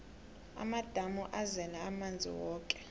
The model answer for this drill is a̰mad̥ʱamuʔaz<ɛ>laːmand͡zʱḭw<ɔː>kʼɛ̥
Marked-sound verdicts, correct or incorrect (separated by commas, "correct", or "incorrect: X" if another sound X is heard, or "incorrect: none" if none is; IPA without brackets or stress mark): correct, correct